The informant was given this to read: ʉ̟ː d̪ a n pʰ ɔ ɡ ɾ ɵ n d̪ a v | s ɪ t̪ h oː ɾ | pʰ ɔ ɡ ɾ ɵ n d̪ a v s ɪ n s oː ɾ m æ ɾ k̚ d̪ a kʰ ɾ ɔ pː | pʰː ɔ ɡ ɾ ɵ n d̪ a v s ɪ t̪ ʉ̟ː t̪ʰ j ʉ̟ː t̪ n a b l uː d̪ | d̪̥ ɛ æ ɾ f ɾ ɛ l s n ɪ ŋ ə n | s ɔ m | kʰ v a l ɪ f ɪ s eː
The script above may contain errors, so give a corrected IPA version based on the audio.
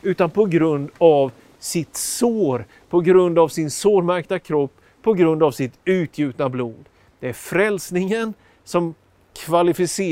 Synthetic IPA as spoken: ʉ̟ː t̪ a n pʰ ɔ ɡ ɾ ɵ n d̪ a v | s ɪ t̪ s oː ɾ | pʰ ɔ ɡ ɾ ɵ n d̪ a v s ɪ n s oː ɾ m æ ɾ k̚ t̪ a kʰ ɾ ɔ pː | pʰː ɔ ɡ ɾ ɵ n d̪ a v s ɪ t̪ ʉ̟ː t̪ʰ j ʉ̟ː t̪ n a b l uː d̪ | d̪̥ ɛ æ ɾ f ɾ ɛ l s n ɪ ŋ ə n | s ɔ m | kʰ v a l ɪ f ɪ s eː